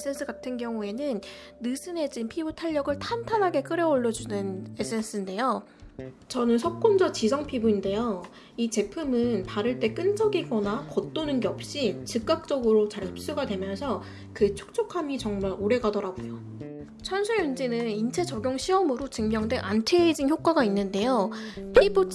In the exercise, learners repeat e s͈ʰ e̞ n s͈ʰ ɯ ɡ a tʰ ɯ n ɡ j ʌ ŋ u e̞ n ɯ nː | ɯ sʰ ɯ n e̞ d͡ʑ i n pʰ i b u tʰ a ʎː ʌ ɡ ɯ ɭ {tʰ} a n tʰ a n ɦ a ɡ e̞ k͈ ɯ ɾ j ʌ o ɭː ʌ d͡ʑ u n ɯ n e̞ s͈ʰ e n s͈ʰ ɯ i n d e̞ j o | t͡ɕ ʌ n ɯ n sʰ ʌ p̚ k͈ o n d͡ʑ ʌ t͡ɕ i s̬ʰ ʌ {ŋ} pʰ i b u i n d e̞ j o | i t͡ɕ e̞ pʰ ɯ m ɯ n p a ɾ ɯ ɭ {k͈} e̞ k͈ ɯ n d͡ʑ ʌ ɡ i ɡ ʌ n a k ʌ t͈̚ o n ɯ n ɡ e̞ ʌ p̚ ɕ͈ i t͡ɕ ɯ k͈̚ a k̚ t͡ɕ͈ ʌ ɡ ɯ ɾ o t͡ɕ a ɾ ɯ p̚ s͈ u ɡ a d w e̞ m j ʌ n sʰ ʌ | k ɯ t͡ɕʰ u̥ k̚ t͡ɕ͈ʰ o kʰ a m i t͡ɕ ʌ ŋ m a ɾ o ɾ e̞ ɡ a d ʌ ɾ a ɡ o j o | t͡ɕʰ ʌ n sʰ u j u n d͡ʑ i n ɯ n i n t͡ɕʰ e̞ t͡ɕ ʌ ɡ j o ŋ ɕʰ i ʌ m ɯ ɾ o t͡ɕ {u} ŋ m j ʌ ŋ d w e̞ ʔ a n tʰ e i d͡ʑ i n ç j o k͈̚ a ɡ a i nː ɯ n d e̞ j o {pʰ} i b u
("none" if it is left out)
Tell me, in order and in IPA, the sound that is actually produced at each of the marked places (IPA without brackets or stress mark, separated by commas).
tʰ, ŋ, t͈, ɯ, pʰ